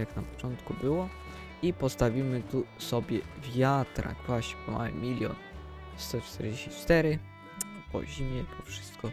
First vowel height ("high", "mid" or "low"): low